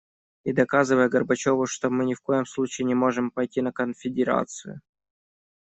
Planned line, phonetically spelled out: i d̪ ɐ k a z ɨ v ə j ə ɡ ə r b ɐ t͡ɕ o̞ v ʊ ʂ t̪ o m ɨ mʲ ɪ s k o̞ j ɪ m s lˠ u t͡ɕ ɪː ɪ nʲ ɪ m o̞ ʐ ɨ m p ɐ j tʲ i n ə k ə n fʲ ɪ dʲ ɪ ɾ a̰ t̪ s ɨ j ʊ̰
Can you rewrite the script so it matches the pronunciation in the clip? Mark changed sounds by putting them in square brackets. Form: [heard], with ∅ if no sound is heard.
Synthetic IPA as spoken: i d̪ ɐ k a z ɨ v ə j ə ɡ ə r b ɐ t͡ɕ o̞ v ʊ ʂ t̪ o m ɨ [nʲ] ɪ [f] k o̞ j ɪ m s lˠ u t͡ɕ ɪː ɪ nʲ ɪ m o̞ ʐ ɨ m p ɐ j tʲ i n ə k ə n fʲ ɪ dʲ ɪ ɾ a̰ t̪ s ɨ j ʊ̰

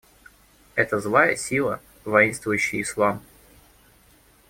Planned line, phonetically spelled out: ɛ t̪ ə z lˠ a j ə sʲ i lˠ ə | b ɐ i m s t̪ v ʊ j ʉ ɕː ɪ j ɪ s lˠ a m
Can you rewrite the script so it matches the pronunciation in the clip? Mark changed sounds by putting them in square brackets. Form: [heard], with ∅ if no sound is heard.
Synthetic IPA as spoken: ɛ t̪ ə z lˠ a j ə sʲ i lˠ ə | [v] ɐ i [n] s t̪ v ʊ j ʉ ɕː ɪ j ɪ s lˠ a m

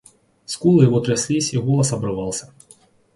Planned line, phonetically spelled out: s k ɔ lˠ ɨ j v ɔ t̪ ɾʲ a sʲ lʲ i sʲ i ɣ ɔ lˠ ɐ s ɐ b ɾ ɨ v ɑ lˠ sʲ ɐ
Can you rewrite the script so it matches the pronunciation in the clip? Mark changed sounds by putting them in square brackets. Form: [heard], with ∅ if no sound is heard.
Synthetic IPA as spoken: s k [u] lˠ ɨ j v ɔ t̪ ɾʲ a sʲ lʲ i sʲ i ɣ ɔ lˠ ɐ s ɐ b ɾ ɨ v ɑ lˠ sʲ ɐ

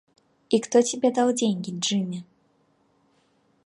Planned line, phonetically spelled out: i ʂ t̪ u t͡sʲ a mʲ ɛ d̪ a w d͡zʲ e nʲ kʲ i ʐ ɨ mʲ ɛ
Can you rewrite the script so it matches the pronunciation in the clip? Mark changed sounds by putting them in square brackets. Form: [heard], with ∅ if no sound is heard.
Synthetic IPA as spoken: i [x] t̪ [ɔ] t͡sʲ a [bʲ] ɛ d̪ a w d͡zʲ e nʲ kʲ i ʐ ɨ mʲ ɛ

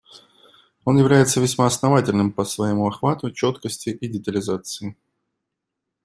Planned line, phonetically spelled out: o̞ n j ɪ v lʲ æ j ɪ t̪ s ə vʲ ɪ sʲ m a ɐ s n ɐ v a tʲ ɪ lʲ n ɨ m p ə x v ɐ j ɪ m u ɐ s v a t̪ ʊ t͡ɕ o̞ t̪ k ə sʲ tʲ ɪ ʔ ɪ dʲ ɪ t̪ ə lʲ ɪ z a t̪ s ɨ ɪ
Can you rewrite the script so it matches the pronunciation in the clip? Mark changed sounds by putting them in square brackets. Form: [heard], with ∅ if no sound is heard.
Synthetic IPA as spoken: o̞ n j ɪ v lʲ æ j ɪ t̪ s ə vʲ ɪ sʲ m a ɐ s n ɐ v a tʲ ɪ lʲ n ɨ m p ə [s] v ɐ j ɪ m u ɐ [x] v a t̪ ʊ t͡ɕ o̞ t̪ k ə sʲ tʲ ɪ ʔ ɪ dʲ ɪ t̪ ə lʲ ɪ z a t̪ s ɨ ɪ

